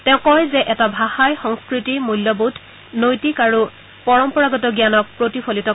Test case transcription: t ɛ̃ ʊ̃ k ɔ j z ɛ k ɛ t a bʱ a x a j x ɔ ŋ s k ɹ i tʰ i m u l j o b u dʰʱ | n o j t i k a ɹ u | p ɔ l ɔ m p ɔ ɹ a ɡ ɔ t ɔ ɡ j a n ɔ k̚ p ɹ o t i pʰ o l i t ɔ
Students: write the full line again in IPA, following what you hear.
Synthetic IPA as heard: t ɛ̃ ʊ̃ k ɔ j z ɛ ʔ ɛ t a bʱ a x a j x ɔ ŋ s k ɹ i t i m u l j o b u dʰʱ | n o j t i k a ɹ u | p ɔ ɹ ɔ m p ɔ ɹ a ɡ ɔ t ɔ ɡ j a n ɔ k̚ p ɹ o t i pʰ o l i t ɔ

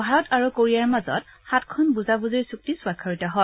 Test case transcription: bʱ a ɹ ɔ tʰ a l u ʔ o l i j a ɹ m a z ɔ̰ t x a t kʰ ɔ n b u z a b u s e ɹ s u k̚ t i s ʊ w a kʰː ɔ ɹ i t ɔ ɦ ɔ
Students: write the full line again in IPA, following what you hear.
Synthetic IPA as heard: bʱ a ɹ ɔ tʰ a ɹ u k o ɹ i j a ɹ m a z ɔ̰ t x a t kʰ ɔ n b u z a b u z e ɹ s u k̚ t i s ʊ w a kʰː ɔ ɹ i t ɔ ɦ ɔ

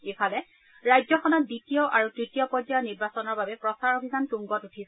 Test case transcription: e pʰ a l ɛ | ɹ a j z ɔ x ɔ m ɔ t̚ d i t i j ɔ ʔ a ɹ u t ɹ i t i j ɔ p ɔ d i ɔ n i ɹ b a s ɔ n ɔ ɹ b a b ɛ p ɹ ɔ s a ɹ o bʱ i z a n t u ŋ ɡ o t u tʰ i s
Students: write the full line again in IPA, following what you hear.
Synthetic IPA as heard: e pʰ a l ɛ | ɹ a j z ɔ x ɔ n ɔ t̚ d i t i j ɔ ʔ a ɹ u t ɹ i t i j ɔ p ɔ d a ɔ n i ɹ b a s ɔ n ɔ ɹ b a b ɛ p ɹ ɔ s a ɹ o bʱ i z a n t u ŋ ɡ ɔ t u tʰ i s

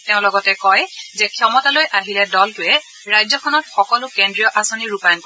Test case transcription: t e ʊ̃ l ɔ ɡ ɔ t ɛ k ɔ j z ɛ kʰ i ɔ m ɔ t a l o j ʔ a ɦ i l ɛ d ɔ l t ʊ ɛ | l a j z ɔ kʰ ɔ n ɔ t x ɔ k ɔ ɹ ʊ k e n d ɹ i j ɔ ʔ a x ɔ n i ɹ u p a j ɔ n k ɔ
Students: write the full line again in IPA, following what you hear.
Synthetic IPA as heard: t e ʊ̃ l ɔ ɡ ɔ t ɛ k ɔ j z ɛ kʰ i ɔ m ɔ t a l o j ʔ a ɦ i l ɛ d ɔ l t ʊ ɛ | ɹ a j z ɔ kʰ ɔ n ɔ t x ɔ k ɔ l ʊ k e n d ɹ i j ɔ ʔ a s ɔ n i ɹ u p a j ɔ n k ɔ

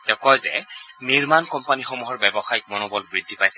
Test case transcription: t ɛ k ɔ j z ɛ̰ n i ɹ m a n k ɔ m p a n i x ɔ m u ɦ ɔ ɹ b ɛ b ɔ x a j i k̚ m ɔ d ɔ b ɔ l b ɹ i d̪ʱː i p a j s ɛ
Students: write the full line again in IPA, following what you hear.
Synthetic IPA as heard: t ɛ k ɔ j z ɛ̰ n i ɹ m a n k ɔ m p a n i x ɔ m u ɦ ɔ ɹ b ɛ b ɔ x a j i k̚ m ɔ n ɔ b ɔ l b ɹ i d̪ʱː i p a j s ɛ

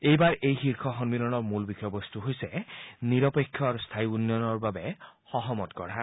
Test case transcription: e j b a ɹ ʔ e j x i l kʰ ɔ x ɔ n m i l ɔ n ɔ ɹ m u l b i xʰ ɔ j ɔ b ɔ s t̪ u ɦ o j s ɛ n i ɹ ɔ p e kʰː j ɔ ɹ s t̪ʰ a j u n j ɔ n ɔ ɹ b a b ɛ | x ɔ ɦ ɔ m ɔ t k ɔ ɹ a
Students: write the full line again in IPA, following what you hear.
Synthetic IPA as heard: e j b a ɹ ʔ e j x i ɹ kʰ ɔ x ɔ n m i l ɔ n ɔ ɹ m u l b i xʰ ɔ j ɔ b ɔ s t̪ u ɦ o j s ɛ n i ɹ ɔ p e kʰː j ɔ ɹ s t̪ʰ a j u n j ɔ n ɔ ɹ b a b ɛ | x ɔ ɦ ɔ m ɔ t k ɔ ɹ a

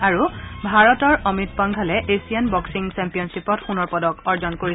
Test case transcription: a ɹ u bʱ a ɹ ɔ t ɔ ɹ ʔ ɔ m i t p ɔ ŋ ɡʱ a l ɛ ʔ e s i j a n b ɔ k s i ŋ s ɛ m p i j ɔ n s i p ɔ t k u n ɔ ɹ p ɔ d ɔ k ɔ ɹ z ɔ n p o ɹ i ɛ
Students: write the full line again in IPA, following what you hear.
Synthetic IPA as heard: a ɹ u bʱ a ɹ ɔ t ɔ ɹ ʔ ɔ m i t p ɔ ŋ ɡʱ a l ɛ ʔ e s i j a n b ɔ k s i ŋ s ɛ m p i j ɔ n s i p ɔ t x u n ɔ ɹ p ɔ d ɔ k ɔ ɹ z ɔ n k o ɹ i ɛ

